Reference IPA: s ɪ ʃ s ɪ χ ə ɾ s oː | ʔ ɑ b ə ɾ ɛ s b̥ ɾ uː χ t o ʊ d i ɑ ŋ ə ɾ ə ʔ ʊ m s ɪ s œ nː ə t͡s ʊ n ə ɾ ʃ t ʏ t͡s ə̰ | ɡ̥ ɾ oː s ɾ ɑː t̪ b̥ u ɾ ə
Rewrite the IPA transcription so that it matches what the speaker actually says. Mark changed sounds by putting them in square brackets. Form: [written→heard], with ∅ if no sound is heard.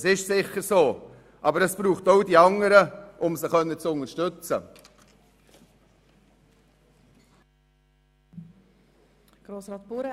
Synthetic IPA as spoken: s ɪ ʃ s ɪ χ ə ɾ s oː | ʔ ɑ b ə ɾ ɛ s b̥ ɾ uː χ t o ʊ d i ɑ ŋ ə ɾ ə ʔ ʊ m s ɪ [s→χ] œ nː ə t͡s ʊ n ə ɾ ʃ t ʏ t͡s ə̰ | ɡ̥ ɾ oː s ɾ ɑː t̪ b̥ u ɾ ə

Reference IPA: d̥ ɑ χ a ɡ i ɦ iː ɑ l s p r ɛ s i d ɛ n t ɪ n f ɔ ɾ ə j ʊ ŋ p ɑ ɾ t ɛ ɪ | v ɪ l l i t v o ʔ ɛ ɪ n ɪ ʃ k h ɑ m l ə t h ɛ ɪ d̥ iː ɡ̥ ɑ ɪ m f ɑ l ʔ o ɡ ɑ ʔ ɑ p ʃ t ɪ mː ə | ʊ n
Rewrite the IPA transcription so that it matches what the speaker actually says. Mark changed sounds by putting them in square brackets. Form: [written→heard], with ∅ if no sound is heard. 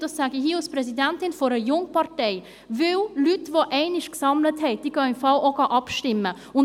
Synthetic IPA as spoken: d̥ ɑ [χ→s] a ɡ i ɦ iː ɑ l s p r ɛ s i d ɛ n t ɪ n f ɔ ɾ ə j ʊ ŋ p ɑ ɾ t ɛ ɪ | v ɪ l l [i→y] t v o ʔ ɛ ɪ n ɪ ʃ k [h→s] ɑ m l ə t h ɛ ɪ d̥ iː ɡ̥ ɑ ɪ m f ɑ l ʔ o ɡ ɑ ʔ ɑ p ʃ t ɪ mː ə | ʊ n

